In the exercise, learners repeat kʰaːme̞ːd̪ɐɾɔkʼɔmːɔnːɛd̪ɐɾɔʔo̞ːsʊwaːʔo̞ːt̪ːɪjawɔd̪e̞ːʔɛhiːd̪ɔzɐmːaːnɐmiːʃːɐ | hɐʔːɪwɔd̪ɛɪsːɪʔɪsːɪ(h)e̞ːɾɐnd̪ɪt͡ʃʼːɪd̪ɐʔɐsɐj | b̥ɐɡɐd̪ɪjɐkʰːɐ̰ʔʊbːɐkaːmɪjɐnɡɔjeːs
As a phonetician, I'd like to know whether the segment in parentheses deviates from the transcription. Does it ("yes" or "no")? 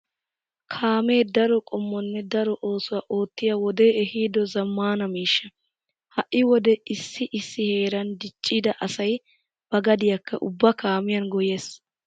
no